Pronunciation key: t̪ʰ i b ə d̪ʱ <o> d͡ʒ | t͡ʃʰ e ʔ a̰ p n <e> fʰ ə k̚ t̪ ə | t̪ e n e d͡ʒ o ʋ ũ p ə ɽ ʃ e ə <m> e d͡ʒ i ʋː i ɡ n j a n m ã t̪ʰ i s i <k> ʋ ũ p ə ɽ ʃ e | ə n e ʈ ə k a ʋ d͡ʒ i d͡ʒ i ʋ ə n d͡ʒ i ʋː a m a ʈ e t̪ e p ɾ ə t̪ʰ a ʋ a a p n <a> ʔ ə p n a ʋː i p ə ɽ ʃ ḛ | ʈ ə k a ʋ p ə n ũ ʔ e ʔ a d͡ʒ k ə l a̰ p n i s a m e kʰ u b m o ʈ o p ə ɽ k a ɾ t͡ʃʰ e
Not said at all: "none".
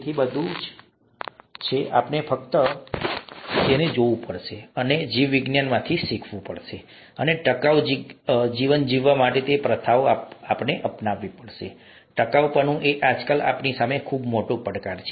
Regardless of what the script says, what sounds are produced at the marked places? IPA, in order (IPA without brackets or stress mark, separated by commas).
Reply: u, e, n, kʰ, e